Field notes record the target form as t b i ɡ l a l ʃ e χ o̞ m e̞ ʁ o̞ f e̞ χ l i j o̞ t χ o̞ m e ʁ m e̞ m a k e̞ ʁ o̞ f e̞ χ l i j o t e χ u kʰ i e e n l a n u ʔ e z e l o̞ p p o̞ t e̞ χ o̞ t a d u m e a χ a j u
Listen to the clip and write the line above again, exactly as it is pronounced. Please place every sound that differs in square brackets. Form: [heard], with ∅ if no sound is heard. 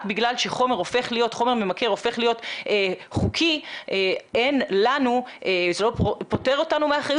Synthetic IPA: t b i ɡ l a l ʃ e χ o̞ m e̞ ʁ o̞ f e̞ χ l i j o̞ t χ o̞ m e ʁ m e̞ m a k e̞ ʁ o̞ f e̞ χ l i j o t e χ u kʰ i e e n l a n u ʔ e z e l o̞ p p o̞ t e̞ [ʁ] o̞ t a [n] u m e a χ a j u